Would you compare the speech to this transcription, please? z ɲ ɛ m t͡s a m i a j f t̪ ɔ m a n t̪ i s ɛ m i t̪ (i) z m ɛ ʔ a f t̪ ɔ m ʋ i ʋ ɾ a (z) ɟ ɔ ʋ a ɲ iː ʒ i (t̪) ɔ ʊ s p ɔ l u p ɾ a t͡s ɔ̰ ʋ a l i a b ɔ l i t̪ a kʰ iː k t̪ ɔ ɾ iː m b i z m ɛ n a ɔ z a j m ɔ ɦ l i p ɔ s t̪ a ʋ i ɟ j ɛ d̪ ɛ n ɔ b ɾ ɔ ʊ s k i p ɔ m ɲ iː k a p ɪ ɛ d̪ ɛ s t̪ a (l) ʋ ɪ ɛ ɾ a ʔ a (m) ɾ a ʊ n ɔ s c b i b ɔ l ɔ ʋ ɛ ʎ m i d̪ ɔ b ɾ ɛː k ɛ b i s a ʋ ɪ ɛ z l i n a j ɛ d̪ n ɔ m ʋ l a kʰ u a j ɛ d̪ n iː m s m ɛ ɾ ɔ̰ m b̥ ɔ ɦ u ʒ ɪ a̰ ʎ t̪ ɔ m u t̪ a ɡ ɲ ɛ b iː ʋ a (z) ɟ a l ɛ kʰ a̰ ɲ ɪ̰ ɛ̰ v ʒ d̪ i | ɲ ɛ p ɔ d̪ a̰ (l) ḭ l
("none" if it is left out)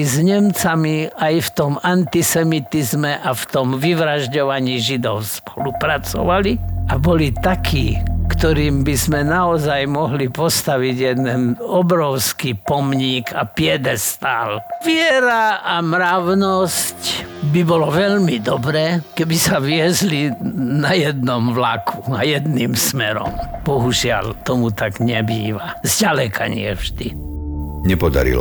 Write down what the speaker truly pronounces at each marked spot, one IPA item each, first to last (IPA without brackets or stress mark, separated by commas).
i, ʒ, d̪, l, m, z, ɾ